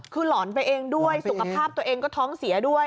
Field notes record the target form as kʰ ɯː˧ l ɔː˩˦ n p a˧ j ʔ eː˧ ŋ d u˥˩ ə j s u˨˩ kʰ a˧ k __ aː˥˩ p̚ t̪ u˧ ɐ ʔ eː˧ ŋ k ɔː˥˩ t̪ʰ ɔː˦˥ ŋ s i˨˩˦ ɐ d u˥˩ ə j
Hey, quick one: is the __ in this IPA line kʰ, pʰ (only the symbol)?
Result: pʰ